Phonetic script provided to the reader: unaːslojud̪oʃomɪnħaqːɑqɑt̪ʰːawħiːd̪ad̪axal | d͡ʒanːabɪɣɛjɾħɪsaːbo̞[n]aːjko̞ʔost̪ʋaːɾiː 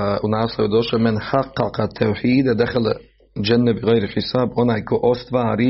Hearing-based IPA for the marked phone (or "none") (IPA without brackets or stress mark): n